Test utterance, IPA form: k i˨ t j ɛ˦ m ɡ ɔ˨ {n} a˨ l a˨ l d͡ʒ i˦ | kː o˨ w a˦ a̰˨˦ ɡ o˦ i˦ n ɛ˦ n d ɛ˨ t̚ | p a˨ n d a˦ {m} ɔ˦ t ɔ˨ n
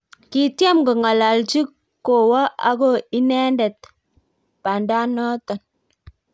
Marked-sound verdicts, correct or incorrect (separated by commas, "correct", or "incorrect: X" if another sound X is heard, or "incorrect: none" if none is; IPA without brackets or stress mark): incorrect: ŋ, incorrect: n